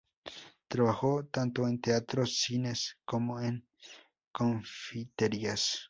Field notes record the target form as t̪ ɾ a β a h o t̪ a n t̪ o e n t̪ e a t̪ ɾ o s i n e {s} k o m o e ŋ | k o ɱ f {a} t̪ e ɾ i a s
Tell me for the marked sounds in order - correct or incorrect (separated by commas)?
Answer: correct, incorrect